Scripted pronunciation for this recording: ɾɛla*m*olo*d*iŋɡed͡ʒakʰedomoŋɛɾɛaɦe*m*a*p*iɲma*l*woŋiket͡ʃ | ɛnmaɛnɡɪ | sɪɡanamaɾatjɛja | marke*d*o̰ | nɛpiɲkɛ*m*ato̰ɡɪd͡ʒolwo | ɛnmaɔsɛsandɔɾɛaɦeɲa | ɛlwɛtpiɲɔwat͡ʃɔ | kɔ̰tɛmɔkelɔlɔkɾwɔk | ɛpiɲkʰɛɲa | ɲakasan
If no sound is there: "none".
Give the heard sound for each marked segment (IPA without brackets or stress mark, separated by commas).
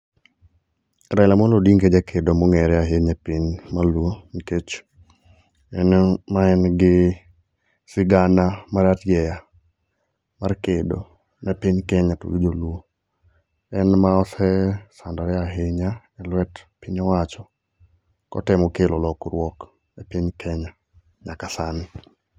m, d, ɲ, p, l, d, ɲ